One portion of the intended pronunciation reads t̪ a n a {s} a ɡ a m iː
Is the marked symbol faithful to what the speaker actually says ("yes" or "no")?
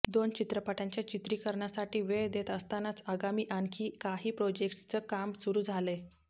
no